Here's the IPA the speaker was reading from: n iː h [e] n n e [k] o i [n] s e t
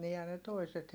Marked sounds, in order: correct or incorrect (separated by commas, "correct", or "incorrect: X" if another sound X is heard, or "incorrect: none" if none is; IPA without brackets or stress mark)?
incorrect: æ, incorrect: t, incorrect: none